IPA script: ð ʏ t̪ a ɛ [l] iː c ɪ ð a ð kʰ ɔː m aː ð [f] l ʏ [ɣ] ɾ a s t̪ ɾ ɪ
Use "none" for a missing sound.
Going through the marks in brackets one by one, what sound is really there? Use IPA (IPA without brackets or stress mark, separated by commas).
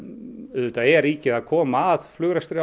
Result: ɾ, f, ɣ